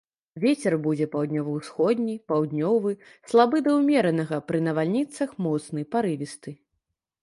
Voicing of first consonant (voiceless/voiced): voiced